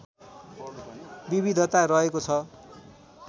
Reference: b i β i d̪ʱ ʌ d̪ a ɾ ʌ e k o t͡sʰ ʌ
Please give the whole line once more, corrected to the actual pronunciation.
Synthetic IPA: b i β i d̪ʱ ʌ t̪ a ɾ ʌ e k o t͡sʰ ʌ